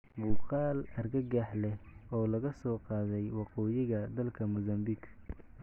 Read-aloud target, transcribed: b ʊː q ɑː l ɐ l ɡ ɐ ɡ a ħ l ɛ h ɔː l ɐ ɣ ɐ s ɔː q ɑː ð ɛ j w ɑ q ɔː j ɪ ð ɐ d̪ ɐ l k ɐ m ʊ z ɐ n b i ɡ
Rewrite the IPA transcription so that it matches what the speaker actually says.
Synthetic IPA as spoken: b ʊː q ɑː l ɐ r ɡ ɐ ɡ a ħ l ɛ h ɔː l ɐ ɣ ɐ s ɔː q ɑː ð ɛ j w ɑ q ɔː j ɪ ɣ ɐ d̪ ɐ l kʰ ɐ m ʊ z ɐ m b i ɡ

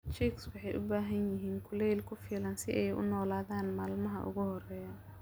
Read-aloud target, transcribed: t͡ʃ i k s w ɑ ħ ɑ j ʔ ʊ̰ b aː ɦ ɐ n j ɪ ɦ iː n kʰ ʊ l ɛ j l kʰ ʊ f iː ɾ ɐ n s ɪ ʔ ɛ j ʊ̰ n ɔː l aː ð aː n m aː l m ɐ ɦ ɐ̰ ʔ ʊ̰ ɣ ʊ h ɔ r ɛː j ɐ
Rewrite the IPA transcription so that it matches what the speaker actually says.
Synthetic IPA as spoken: t͡ʃ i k s w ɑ ħ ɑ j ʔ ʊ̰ b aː ɦ ɐ n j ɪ ɦ iː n kʰ ʊ l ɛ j l kʰ ʊ f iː l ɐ n s ɪ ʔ ɛ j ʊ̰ n ɔː l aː ð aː n m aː l m ɐ ɦ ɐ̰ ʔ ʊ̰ ɣ ʊ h ɔ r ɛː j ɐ

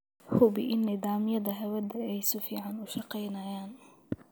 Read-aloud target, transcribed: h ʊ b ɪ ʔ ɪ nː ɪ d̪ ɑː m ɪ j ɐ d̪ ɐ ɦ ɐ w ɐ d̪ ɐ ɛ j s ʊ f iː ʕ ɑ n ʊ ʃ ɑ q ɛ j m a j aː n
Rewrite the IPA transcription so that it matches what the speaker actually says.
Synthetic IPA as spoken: h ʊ b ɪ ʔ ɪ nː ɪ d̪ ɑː m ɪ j ɐ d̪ ɐ ɦ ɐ w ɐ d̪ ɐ ɛ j s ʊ f iː ʕ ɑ n ʊ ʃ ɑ q ɛ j n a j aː n

